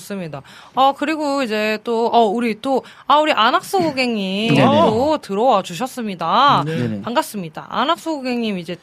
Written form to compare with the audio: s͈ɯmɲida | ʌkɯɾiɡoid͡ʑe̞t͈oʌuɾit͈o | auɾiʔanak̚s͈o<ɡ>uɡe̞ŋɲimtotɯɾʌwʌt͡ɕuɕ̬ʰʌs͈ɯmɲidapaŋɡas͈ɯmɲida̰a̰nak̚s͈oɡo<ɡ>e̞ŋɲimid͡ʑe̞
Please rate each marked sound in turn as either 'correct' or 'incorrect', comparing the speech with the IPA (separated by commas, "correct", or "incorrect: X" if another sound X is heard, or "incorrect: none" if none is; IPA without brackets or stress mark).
correct, correct